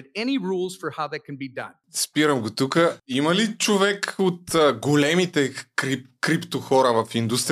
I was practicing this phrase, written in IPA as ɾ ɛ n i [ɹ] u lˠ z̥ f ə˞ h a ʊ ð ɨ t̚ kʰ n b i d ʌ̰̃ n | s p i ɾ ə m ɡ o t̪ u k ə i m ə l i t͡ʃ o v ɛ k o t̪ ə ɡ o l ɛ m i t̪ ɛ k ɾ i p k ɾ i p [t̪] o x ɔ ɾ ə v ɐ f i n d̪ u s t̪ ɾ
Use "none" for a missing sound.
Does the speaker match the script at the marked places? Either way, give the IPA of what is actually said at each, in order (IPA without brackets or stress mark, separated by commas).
ɹ, t̪